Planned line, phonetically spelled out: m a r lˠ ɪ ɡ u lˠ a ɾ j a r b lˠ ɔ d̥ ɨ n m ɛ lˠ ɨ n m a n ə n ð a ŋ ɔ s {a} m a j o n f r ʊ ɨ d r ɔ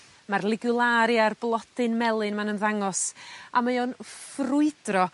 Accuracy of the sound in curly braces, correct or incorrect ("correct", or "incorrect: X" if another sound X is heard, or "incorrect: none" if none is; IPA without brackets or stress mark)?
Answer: correct